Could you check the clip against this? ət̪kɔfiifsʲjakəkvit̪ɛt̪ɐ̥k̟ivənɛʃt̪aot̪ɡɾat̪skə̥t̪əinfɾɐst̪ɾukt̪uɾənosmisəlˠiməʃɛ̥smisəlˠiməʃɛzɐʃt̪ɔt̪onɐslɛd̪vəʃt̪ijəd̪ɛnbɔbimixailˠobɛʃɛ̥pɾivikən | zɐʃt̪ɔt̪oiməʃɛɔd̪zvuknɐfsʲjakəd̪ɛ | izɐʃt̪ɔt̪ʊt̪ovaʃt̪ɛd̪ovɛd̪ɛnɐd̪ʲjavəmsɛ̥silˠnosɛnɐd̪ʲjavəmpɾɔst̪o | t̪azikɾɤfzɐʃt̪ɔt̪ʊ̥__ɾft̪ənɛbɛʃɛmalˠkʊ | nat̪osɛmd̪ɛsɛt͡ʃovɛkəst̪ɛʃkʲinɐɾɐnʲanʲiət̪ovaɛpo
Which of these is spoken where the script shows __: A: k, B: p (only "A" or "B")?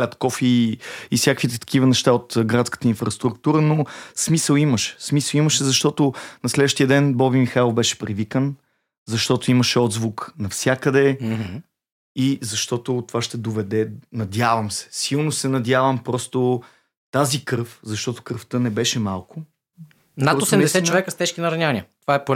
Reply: A